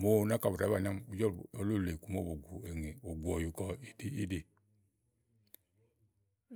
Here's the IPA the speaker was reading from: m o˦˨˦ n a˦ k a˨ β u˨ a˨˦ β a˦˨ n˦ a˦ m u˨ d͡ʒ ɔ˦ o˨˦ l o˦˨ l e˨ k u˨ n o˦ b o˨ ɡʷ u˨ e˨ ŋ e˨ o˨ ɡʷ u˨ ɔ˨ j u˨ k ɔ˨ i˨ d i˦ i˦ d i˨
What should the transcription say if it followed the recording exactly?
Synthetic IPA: m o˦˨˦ n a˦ k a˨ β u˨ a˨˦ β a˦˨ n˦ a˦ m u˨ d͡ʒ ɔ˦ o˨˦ l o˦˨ l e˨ k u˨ m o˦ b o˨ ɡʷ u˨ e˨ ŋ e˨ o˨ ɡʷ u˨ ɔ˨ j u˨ k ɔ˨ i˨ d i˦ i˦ d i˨